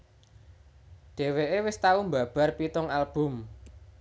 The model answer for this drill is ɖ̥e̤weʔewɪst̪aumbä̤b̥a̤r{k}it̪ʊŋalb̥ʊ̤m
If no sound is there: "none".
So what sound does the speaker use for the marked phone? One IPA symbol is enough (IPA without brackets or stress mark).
p